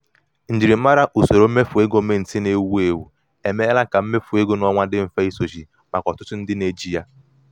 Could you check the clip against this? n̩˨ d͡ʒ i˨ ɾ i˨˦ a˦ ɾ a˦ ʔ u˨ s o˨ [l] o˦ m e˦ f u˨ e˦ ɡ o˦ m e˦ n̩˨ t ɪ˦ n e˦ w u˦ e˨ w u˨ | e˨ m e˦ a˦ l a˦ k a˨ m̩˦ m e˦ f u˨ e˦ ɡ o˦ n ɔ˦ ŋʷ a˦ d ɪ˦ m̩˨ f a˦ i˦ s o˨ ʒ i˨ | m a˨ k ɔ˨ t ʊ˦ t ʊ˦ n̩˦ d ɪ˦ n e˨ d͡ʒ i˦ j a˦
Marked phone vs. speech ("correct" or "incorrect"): incorrect